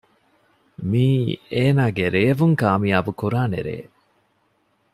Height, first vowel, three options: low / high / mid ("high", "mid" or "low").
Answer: high